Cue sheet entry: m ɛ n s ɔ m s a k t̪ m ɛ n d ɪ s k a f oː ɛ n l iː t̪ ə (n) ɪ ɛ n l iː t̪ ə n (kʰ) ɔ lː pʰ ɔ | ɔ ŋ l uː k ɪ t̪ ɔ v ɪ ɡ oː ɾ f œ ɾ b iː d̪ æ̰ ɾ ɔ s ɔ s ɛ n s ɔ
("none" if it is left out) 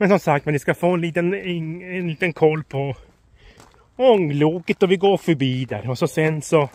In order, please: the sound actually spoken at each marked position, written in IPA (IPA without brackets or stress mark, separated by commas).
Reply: n, kʰ